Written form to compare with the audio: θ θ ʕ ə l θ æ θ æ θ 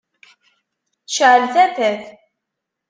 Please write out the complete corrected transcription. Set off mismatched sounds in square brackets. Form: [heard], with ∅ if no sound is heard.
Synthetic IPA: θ [ʃ] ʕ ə l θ æ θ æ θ